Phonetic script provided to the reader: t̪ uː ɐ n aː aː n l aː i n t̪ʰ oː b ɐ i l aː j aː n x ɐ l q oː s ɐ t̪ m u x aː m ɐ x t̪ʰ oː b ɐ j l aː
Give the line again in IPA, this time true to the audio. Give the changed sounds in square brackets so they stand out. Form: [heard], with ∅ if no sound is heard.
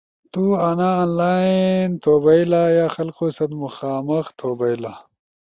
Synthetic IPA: t̪ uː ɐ n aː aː n l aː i n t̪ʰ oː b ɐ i l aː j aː [∅] x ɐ l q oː s ɐ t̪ m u x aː m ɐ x t̪ʰ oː b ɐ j l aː